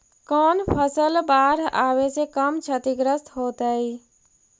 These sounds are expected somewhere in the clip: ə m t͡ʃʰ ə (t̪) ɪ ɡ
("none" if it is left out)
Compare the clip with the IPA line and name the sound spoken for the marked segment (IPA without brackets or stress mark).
t̪